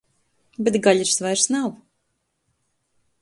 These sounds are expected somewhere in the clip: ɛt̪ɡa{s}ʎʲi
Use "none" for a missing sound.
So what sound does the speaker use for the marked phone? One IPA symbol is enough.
none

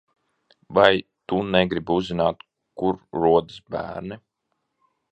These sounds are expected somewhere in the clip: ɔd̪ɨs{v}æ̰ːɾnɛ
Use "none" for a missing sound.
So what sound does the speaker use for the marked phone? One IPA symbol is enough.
b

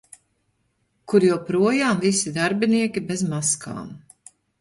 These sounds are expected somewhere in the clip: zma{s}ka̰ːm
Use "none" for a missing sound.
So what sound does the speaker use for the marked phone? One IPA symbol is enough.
s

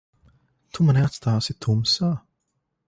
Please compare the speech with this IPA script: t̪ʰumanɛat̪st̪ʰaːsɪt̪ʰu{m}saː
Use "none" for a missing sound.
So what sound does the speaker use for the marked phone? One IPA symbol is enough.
m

